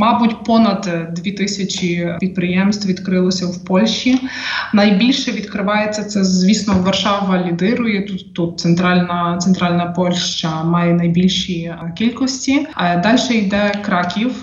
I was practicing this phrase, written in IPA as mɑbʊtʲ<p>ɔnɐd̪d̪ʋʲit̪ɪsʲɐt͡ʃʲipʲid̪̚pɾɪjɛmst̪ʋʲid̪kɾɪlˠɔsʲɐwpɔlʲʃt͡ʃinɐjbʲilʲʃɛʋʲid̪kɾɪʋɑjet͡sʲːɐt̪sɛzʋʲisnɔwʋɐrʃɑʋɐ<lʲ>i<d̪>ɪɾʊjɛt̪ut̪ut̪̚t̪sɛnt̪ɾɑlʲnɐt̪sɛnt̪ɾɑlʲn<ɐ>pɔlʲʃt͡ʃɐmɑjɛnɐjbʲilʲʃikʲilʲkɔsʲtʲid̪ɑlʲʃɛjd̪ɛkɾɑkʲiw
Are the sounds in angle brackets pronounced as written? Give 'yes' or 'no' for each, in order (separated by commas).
yes, yes, yes, yes